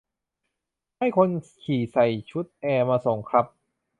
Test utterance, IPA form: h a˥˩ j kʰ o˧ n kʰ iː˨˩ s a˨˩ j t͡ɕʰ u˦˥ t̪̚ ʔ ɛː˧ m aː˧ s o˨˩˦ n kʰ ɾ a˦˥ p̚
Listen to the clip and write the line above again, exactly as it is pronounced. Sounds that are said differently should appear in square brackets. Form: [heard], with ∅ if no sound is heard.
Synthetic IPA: h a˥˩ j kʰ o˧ n kʰ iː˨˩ s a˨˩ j t͡ɕʰ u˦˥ t̪̚ ʔ ɛː˧ m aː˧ s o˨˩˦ [ŋ] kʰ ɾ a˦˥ p̚